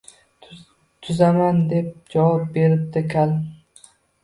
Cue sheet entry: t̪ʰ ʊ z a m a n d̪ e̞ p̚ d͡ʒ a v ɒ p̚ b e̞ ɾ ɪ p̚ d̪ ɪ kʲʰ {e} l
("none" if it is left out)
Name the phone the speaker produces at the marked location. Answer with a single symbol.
a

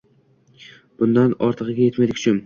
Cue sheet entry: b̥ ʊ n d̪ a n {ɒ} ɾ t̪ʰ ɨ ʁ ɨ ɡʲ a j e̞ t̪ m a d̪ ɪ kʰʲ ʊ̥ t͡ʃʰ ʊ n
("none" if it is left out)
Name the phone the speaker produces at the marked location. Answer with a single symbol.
ɒ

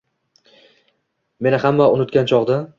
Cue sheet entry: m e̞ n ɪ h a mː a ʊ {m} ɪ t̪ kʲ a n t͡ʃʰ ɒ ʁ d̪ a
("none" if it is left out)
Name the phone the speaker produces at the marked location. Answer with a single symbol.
n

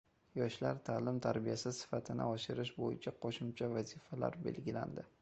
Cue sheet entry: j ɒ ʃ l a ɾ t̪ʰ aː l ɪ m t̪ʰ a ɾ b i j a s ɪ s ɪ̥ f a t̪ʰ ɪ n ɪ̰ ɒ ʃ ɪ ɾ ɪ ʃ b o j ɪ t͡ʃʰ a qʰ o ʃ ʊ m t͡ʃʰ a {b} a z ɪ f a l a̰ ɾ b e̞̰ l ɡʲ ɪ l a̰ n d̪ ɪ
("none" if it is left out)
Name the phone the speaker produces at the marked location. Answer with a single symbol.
v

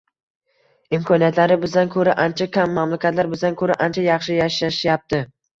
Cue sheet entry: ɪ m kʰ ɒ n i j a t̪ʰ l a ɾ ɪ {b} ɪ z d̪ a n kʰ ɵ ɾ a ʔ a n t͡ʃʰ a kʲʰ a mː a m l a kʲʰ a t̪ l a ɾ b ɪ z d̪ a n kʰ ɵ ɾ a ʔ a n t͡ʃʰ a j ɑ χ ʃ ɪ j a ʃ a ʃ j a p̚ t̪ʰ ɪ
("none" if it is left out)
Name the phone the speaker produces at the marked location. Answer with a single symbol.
b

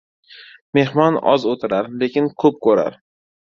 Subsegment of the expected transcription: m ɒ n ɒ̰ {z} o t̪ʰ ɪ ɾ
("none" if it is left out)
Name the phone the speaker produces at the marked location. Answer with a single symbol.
z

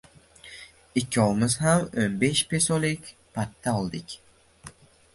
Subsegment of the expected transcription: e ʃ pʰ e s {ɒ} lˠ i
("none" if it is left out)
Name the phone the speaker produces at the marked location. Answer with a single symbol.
o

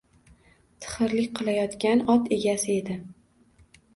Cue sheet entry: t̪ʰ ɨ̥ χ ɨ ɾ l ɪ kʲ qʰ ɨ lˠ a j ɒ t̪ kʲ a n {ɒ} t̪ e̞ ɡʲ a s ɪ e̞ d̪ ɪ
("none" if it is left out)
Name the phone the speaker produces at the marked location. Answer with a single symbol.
ɒ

